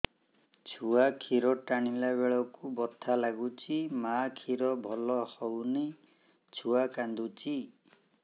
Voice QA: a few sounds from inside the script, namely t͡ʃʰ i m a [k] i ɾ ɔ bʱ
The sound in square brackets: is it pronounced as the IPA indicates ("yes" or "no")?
no